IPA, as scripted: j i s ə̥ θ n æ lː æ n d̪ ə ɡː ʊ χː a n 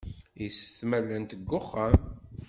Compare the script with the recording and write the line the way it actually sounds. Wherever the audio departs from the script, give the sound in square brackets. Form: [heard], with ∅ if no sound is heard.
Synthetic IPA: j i s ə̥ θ [m] æ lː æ n [t̪] ə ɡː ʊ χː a [m]